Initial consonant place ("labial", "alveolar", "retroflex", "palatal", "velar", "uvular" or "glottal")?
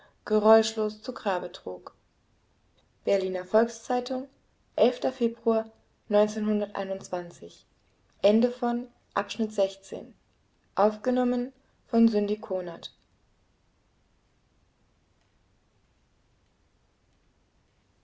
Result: velar